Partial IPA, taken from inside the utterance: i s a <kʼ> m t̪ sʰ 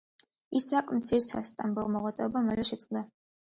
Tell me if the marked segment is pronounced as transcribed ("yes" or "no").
yes